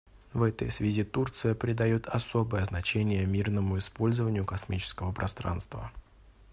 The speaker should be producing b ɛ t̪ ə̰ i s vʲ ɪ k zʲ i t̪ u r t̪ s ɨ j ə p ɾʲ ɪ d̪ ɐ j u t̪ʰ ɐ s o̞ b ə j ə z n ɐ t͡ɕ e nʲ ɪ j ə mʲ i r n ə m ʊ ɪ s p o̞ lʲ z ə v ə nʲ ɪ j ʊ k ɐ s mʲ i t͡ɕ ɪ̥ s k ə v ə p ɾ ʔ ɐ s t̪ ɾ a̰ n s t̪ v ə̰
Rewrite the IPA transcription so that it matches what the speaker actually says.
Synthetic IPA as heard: v ɛ t̪ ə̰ j s vʲ ɪ zʲ i t̪ u r t̪ s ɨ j ə p ɾʲ ɪ d̪ ɐ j u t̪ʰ ɐ s o̞ b ə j ə z n ɐ t͡ɕ e nʲ ɪ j ə mʲ i r n ə m ʊ ɪ s p o̞ lʲ z ə v ə nʲ ɪ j ʊ k ɐ s mʲ i t͡ɕ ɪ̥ s k ə v ə p ɾ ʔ ɐ s t̪ ɾ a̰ n s t̪ v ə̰